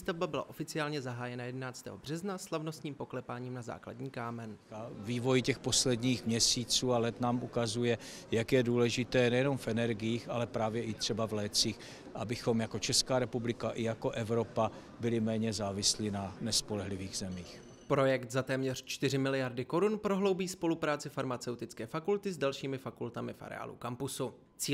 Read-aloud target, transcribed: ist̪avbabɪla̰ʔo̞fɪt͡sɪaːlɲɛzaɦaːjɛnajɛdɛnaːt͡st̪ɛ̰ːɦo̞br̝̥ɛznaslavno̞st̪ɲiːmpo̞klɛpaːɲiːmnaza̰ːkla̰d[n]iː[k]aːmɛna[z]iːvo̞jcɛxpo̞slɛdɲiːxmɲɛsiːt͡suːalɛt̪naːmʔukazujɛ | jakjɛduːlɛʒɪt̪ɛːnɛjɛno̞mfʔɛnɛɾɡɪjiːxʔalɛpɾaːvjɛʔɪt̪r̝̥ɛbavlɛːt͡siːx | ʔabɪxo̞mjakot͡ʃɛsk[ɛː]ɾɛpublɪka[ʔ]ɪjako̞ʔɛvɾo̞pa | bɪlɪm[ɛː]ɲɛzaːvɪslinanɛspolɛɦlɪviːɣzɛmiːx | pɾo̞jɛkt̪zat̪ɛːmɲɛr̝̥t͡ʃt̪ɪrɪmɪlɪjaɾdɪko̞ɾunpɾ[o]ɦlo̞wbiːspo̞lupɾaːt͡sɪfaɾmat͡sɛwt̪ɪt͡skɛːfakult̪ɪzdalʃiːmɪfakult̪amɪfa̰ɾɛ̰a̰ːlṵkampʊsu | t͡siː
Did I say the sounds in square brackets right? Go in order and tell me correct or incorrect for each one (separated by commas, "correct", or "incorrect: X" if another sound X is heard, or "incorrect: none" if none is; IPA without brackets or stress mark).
incorrect: ɲ, correct, incorrect: v, incorrect: aː, correct, correct, correct